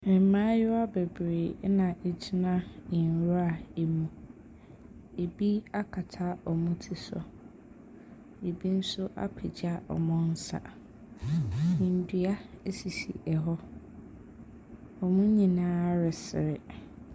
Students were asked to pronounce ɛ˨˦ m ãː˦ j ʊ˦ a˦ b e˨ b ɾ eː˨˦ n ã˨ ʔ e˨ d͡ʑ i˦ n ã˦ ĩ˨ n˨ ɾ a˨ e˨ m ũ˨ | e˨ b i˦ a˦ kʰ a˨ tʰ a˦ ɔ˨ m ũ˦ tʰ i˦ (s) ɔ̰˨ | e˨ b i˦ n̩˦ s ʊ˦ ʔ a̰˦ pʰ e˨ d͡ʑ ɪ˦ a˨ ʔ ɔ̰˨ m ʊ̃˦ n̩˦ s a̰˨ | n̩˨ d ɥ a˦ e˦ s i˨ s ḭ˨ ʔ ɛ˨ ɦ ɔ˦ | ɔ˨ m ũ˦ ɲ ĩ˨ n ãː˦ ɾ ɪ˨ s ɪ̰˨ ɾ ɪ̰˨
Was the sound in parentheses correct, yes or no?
yes